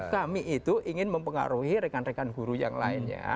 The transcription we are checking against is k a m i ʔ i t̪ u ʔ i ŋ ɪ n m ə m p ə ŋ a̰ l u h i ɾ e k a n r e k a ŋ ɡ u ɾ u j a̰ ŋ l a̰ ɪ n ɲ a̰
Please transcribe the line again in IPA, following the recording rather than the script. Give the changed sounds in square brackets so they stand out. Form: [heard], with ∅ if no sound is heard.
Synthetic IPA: k a m i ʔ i t̪ u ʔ i ŋ ɪ n m ə m p ə ŋ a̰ [ɾ] u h i ɾ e k a n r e k a [n] ɡ u ɾ u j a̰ ŋ l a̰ ɪ n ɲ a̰

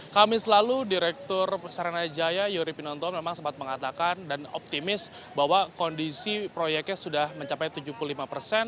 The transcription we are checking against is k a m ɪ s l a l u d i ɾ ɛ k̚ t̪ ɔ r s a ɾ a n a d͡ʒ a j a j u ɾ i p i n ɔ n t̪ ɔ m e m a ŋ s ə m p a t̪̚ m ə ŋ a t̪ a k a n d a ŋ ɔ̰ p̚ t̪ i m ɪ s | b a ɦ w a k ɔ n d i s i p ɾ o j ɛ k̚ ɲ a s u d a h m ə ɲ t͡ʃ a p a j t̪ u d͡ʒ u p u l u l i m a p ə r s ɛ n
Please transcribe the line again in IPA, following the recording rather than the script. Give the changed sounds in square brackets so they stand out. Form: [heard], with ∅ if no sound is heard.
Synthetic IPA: k a m ɪ s l a l u d i ɾ ɛ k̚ t̪ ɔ r s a ɾ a n a d͡ʒ a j a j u ɾ i p i n ɔ n t̪ ɔ m e m a ŋ s ə m p a t̪̚ m ə ŋ a t̪ a k a n d a [n] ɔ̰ p̚ t̪ i m ɪ s | b a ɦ w a k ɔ n d i s i p ɾ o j ɛ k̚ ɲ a s u d a h m ə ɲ t͡ʃ a p a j t̪ u d͡ʒ u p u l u l i m a p ə r s ɛ n

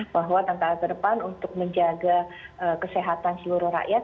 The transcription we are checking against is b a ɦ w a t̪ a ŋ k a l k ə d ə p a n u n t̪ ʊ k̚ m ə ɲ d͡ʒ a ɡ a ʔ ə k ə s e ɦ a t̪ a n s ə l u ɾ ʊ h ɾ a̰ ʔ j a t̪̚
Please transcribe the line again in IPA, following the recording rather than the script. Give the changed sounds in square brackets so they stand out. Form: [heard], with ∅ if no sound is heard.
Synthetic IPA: b a ɦ w a t̪ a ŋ k a l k ə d ə p a n u n t̪ ʊ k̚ m ə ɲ d͡ʒ a ɡ a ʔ ə k ə s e ɦ a t̪ a n s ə l u ɾ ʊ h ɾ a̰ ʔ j a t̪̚

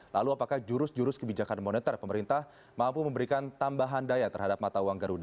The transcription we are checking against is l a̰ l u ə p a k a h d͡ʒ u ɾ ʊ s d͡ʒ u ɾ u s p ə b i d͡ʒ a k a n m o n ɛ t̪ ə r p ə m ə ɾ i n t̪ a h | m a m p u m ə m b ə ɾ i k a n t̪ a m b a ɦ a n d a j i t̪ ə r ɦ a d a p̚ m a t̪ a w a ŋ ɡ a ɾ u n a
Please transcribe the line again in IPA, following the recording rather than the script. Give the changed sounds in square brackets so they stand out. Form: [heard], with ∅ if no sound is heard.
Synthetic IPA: l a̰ l u [a] p a k a h d͡ʒ u ɾ ʊ s d͡ʒ u ɾ [ʊ] s [k] ə b i d͡ʒ a k a n m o n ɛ t̪ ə r p ə m ə ɾ i n t̪ a h | m a m p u m ə m b ə ɾ i k a n t̪ a m b a ɦ a n d a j [a] t̪ ə r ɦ a d a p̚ m a t̪ a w a ŋ ɡ a ɾ u [d] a

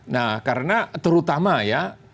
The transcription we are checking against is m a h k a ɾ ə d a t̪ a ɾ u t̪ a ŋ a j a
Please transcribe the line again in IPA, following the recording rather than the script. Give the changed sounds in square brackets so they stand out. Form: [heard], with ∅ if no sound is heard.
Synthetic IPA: [n] a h k a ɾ ə [n] a t̪ [ə] ɾ u t̪ a [m] a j a

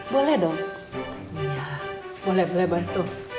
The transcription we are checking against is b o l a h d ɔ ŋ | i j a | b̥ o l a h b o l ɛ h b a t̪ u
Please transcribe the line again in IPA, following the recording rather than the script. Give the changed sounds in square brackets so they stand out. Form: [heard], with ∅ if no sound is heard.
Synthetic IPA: b o l [ɛ] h d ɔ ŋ | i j a | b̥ o l [ɛ] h b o l ɛ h b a t̪ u

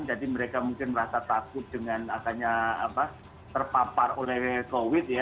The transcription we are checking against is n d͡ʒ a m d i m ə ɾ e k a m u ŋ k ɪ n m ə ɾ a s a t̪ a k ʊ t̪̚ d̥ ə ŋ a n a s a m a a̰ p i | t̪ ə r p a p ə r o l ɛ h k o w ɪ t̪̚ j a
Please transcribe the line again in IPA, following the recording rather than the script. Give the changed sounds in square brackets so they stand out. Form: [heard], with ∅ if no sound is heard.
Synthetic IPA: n d͡ʒ a [∅] d i m ə ɾ e k a m u ŋ k ɪ n m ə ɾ a s a t̪ a k ʊ t̪̚ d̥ ə ŋ a n a s a [ɲ] a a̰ p [a] | t̪ ə r p a p [a] r o l ɛ h k o w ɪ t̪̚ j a

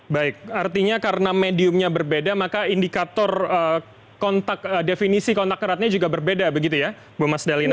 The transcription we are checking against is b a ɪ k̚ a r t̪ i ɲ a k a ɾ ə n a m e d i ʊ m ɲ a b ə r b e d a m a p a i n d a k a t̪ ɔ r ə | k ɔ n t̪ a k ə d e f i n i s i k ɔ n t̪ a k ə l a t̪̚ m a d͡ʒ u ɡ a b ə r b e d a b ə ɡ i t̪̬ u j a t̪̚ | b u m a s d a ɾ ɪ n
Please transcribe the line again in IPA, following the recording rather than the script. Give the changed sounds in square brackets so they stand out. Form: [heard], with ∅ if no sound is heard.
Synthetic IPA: b a ɪ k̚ a r t̪ i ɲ a k a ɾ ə n a m e d i ʊ m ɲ a b ə r b e d a m a [k] a i n d [i] k a t̪ ɔ r ə | k ɔ n t̪ a k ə d e f i n i s i k ɔ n t̪ a k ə [ɾ] a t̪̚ [ɲ] a d͡ʒ u ɡ a b ə r b e d a b ə ɡ i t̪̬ u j a [∅] | b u m a s d a [l] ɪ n

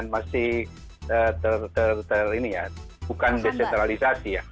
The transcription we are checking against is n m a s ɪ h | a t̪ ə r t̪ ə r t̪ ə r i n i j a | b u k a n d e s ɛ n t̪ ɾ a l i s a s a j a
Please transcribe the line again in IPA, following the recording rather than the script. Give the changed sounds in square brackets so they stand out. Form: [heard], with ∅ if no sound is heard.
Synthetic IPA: n m a s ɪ h | [ə] t̪ ə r t̪ ə r t̪ ə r i n i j a | b u k a n d e s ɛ n t̪ ɾ a l i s a s [i] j a

